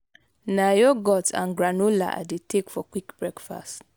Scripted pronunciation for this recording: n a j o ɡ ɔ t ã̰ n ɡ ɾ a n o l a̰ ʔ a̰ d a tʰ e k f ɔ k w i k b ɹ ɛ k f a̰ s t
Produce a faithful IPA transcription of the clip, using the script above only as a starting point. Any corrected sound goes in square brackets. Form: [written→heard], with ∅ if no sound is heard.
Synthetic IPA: n a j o ɡ ɔ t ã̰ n ɡ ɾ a n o l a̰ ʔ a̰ d [a→e] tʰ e k f ɔ k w i k b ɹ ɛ k f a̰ s t